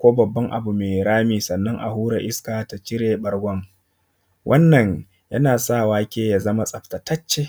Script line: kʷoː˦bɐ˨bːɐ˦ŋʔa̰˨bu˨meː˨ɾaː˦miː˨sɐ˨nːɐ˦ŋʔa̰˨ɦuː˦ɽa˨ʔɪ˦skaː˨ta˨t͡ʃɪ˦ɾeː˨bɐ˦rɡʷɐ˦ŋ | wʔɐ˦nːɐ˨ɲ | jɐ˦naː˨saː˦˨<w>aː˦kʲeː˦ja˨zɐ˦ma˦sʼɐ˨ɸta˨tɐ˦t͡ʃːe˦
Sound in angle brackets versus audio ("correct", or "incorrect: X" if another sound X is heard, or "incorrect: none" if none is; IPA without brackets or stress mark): correct